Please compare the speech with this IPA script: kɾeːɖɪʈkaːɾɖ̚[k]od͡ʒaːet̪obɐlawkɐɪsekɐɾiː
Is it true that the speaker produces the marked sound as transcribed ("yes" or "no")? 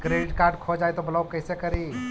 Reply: no